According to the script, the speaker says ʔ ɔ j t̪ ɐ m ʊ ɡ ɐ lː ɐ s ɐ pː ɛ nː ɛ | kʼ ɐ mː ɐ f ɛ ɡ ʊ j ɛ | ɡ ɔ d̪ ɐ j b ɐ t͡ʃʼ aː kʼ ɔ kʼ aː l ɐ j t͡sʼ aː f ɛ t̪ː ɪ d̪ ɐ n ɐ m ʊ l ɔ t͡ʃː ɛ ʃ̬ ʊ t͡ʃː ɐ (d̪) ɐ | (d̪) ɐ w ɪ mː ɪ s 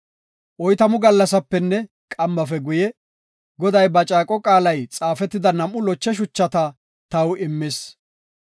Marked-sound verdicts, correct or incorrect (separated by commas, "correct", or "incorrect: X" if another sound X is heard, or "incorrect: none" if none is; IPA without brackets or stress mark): incorrect: t̪, incorrect: t̪